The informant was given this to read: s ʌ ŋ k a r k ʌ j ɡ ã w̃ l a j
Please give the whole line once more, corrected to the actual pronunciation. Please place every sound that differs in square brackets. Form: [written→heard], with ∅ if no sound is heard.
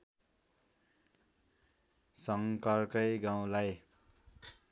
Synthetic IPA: s ʌ ŋ k [a→ʌ] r k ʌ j ɡ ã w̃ l a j